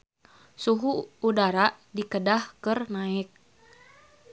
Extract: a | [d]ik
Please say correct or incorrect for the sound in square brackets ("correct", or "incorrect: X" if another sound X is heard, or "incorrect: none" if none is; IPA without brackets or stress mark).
correct